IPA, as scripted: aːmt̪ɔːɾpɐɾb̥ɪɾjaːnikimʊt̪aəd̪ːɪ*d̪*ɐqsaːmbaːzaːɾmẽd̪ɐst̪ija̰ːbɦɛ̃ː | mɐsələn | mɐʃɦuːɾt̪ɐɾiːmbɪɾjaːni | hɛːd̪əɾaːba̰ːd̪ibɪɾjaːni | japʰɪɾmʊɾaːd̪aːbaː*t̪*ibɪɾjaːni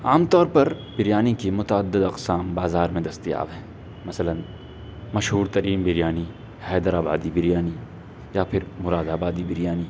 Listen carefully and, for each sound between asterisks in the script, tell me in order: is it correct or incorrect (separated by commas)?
correct, incorrect